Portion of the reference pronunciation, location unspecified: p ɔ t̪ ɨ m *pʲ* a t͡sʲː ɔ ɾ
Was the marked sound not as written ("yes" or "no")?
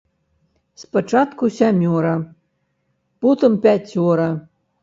no